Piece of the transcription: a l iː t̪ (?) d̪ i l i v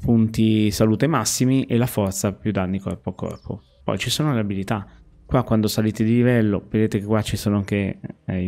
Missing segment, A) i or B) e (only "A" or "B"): B